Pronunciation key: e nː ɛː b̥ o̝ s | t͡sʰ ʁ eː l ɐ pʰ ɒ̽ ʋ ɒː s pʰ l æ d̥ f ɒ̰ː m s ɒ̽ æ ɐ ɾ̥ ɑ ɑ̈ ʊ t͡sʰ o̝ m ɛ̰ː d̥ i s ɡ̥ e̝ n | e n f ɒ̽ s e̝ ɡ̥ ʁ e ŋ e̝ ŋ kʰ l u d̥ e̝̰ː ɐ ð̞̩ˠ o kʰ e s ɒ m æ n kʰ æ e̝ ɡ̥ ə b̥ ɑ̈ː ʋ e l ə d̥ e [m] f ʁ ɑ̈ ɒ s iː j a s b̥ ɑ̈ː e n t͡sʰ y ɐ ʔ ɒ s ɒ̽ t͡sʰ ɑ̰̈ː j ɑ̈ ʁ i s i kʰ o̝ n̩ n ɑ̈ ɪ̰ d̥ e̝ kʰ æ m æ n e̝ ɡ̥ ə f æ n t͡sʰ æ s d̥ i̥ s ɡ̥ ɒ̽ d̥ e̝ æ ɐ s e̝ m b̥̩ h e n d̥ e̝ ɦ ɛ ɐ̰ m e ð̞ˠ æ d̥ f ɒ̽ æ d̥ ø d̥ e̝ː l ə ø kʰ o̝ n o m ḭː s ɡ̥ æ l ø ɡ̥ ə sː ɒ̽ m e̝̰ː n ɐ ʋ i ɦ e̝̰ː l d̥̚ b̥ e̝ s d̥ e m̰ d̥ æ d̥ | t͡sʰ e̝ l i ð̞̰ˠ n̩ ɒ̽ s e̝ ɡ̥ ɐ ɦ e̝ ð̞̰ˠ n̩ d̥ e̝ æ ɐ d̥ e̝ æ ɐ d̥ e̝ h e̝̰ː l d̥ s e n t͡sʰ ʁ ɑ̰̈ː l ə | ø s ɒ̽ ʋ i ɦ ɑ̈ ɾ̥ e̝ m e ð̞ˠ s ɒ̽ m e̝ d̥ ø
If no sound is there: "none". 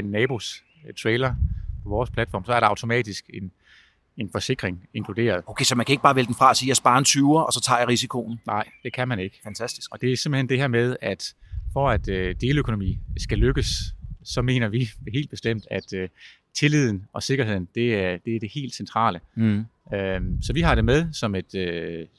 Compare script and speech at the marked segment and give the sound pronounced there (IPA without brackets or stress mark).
n